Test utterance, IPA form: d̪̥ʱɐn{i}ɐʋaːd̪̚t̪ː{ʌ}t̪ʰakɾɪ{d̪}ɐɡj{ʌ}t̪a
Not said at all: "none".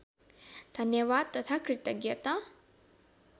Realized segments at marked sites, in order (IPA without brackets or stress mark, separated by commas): j, ɐ, t̪, ɐ